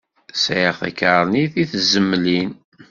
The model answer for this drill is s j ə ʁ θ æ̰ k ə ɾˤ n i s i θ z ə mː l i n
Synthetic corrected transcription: s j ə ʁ θ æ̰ k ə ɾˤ n i θ i θ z ə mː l i n